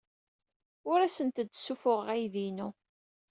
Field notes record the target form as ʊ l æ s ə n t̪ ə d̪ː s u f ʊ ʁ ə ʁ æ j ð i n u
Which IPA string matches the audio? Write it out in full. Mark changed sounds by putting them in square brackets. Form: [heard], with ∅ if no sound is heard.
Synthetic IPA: ʊ [ɾ] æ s ə n t̪ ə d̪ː s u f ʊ ʁ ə ʁ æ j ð i n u